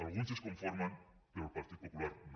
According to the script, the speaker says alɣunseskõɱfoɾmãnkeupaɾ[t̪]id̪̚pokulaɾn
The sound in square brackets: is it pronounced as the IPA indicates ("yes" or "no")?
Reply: yes